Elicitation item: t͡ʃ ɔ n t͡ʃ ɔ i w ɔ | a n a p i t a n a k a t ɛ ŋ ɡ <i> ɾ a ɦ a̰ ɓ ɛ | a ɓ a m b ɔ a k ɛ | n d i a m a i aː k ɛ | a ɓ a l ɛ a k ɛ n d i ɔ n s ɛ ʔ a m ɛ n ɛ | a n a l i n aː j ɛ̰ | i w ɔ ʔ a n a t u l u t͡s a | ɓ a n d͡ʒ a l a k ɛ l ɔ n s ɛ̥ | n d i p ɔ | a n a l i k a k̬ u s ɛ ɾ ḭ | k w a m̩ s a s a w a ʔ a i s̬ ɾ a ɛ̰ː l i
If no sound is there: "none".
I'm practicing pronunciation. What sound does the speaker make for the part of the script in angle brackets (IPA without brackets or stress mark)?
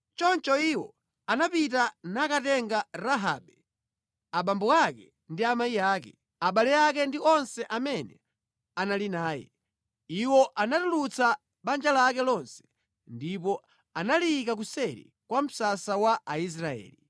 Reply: a